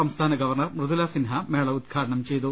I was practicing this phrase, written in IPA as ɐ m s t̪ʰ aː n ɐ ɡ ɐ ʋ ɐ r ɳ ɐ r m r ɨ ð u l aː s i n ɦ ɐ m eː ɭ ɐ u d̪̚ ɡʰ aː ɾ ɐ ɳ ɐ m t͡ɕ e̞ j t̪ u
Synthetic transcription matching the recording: ɐ m s t̪ʰ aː n ɐ ɡ ɐ ʋ ɐ r ɳ ɐ r m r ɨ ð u l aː s i n ɦ ɐ m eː ɭ ɐ u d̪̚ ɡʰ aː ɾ ɐ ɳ ɐ m t͡ɕ e̞ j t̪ u